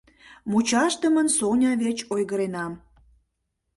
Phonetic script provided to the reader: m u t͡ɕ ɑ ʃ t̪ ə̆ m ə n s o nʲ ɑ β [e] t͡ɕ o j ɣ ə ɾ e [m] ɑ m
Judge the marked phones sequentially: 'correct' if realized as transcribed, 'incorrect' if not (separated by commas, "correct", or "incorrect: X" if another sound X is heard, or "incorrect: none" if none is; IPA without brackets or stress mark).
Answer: correct, incorrect: n